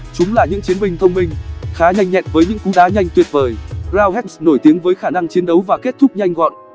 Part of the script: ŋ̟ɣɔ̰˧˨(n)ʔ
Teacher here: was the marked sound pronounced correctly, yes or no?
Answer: yes